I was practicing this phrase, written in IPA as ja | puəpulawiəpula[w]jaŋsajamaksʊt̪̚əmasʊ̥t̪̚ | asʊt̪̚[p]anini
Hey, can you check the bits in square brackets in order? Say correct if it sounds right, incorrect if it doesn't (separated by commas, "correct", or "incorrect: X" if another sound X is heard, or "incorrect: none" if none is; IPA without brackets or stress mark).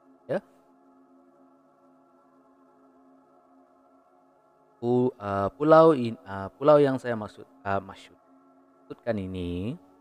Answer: correct, incorrect: k